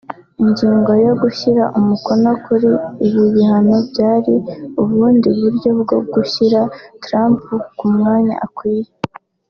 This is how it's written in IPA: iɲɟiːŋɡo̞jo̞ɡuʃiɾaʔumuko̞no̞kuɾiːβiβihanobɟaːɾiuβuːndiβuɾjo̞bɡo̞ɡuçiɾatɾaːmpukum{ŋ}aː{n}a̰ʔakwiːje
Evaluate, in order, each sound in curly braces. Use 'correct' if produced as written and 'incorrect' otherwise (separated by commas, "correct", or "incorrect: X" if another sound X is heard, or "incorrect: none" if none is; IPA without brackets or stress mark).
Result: correct, incorrect: ɲ